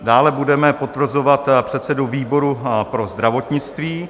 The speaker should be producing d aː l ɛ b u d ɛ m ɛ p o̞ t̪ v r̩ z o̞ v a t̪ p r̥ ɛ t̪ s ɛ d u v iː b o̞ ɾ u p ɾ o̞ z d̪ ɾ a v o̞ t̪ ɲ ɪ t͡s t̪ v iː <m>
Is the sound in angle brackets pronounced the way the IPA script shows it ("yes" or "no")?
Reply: no